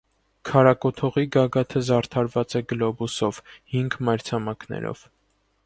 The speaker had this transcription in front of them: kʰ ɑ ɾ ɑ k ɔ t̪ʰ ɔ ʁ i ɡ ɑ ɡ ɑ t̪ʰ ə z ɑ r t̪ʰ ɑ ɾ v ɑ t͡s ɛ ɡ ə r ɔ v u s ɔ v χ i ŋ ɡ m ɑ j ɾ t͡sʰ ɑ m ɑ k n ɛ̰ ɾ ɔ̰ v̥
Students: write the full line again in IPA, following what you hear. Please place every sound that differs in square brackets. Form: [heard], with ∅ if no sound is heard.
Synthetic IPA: kʰ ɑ ɾ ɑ k ɔ t̪ʰ ɔ ʁ i ɡ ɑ ɡ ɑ t̪ʰ ə z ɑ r t̪ʰ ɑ ɾ v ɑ t͡s ɛ ɡ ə [l] ɔ [b] u s ɔ v [h] i ŋ ɡ m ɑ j ɾ t͡sʰ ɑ m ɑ k n ɛ̰ ɾ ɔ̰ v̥